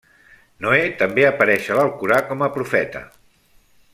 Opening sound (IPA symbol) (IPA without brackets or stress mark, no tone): n